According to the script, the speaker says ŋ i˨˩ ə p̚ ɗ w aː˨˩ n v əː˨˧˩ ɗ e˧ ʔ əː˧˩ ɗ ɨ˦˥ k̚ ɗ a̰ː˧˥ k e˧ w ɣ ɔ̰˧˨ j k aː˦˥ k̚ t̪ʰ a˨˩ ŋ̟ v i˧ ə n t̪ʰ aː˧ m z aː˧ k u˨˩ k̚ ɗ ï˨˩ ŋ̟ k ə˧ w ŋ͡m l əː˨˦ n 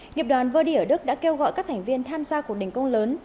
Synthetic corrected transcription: ŋ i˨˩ ə p̚ ɗ w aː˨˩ n v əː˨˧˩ ɗ i˧ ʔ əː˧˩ ɗ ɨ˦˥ k̚ ɗ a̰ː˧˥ k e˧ w ɣ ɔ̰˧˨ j k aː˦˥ k̚ t̪ʰ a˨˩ ŋ̟ v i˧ ə n t̪ʰ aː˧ m z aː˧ k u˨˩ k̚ ɗ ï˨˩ ŋ̟ k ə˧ w ŋ͡m l əː˨˦ n

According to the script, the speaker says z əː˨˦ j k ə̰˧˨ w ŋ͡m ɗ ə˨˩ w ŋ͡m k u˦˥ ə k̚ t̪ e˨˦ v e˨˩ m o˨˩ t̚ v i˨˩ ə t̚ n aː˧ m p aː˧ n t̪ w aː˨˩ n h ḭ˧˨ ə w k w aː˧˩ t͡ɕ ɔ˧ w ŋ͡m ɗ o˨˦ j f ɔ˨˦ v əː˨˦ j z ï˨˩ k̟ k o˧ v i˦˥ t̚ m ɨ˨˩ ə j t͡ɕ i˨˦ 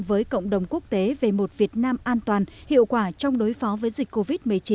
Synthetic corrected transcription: v əː˨˦ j k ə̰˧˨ w ŋ͡m ɗ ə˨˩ w ŋ͡m k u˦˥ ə k̚ t̪ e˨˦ v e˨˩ m o˨˩ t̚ v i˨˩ ə t̚ n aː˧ m ʔ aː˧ n t̪ w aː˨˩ n h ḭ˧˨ ə w k w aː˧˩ t͡ɕ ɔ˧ w ŋ͡m ɗ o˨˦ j f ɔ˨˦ v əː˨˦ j z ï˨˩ k̟ k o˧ v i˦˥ t̚ m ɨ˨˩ ə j t͡ɕ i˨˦

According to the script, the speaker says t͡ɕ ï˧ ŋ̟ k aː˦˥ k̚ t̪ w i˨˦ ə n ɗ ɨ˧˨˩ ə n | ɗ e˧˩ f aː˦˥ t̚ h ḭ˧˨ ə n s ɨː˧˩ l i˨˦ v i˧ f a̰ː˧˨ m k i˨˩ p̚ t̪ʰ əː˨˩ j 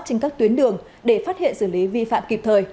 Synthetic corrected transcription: t͡ɕ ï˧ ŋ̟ k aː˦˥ k̚ t̪ w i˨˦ ə n ɗ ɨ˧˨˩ ə ŋ | ɗ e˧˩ f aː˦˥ t̚ h ḭ˧˨ ə n s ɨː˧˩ l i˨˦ v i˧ f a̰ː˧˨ m k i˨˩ p̚ t̪ʰ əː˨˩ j

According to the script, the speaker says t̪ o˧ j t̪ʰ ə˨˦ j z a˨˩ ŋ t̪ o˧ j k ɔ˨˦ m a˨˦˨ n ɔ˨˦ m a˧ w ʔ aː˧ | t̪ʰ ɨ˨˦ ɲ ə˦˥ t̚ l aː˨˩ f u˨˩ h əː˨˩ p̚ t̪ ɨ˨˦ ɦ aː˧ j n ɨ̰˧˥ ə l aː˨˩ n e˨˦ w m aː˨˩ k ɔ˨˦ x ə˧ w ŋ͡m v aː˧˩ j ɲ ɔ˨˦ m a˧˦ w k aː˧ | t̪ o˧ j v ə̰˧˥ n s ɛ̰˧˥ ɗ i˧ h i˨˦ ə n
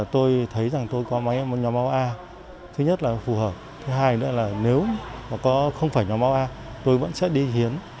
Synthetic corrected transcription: t̪ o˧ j t̪ʰ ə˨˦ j z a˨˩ ŋ t̪ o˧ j k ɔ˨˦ m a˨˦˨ ɲ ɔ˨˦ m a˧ w ʔ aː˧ | t̪ʰ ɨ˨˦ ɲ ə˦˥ t̚ l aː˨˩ f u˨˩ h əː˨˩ p̚ t̪ʰ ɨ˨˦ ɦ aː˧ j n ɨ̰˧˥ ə l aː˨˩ n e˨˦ w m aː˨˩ k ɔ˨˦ x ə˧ w ŋ͡m f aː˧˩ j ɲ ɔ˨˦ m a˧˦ w ʔ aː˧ | t̪ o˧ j v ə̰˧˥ n s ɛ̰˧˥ ɗ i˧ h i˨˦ ə n

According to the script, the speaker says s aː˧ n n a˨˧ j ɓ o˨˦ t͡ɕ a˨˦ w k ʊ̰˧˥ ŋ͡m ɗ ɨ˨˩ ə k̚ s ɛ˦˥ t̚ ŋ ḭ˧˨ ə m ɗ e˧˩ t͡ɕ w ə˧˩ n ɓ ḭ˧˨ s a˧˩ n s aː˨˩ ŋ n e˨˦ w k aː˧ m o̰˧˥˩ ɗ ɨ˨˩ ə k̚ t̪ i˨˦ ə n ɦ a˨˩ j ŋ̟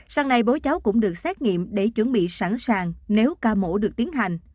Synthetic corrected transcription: s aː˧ ŋ n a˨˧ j ɓ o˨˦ t͡ɕ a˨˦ w k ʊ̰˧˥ ŋ͡m ɗ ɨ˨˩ ə k̚ s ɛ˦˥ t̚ ŋ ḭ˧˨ ə m ɗ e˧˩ t͡ɕ w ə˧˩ n ɓ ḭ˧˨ s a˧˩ n s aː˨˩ ŋ n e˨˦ w k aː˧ m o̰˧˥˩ ɗ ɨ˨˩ ə k̚ t̪ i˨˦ ə n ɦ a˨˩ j ŋ̟

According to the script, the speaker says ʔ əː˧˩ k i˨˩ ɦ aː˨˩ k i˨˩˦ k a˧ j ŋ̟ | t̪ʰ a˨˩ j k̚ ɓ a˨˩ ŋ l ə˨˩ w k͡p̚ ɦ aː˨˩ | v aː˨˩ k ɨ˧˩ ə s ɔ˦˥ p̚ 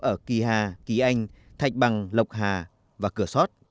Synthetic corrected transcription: ʔ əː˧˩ k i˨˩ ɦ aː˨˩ k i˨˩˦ ʔ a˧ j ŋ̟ | t̪ʰ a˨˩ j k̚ ɓ a˨˩ ŋ l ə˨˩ w k͡p̚ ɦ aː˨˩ | v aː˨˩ k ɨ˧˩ ə s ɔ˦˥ t̚

